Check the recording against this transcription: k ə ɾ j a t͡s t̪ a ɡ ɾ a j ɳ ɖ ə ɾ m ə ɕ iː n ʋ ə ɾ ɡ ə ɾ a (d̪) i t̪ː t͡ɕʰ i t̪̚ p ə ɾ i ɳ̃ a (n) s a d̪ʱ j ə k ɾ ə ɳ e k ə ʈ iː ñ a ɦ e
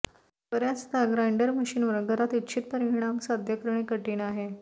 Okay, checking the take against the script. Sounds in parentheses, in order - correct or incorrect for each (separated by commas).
incorrect, incorrect